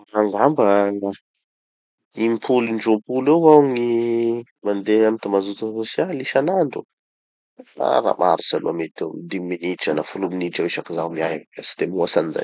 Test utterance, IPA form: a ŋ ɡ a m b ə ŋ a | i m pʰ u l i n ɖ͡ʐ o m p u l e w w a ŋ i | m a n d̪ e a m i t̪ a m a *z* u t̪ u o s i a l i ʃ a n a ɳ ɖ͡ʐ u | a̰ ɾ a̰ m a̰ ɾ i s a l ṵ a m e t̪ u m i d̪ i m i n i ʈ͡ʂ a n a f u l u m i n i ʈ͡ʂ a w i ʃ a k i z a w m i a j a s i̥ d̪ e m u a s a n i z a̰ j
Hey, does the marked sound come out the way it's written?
yes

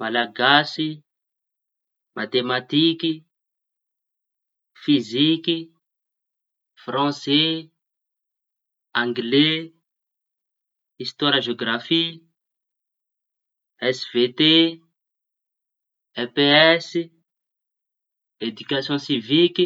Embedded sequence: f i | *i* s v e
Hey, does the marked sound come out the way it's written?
no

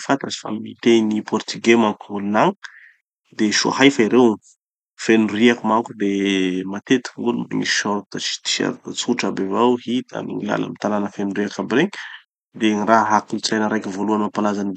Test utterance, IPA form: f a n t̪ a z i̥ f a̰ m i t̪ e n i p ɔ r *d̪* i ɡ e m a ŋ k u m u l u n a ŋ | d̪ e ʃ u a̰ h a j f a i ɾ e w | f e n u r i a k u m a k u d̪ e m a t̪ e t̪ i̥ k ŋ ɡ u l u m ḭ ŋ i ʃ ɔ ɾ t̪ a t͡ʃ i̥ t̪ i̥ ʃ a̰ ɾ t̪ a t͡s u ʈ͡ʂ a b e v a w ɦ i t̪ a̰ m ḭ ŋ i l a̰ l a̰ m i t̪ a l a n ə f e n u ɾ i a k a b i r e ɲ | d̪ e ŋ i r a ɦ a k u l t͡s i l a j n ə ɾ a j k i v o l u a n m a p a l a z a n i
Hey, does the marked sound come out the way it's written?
no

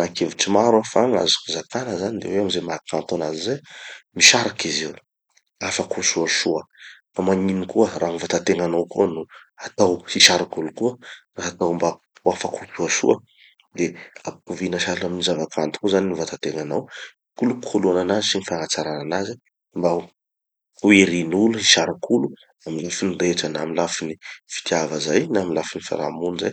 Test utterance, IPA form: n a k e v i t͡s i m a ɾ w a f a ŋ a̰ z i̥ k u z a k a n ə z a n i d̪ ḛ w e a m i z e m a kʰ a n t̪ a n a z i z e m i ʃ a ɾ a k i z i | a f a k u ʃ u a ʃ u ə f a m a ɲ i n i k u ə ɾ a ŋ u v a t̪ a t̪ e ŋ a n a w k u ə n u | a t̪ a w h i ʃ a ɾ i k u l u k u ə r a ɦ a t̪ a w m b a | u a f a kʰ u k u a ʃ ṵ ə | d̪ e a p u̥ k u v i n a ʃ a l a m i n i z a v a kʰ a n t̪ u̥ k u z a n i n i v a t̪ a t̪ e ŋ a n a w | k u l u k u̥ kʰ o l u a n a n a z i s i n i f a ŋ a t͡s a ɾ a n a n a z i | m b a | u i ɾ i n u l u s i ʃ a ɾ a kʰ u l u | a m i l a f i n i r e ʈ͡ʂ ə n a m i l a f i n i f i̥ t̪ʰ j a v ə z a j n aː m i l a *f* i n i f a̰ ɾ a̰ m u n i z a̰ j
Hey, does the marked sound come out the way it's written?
yes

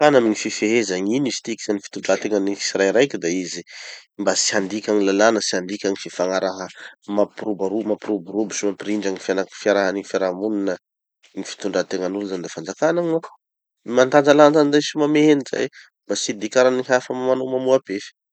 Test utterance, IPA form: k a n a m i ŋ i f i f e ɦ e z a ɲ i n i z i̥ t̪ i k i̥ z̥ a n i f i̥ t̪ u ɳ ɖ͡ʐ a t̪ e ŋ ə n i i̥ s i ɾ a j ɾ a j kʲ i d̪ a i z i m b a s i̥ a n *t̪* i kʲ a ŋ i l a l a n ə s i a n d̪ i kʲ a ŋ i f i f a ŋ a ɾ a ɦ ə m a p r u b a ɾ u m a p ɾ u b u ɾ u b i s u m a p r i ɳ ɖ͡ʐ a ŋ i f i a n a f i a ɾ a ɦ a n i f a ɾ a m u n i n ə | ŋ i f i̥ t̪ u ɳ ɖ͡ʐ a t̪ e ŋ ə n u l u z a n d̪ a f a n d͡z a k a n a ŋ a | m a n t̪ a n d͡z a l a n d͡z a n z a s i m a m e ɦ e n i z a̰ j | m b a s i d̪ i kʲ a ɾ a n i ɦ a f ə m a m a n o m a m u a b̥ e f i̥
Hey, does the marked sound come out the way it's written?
no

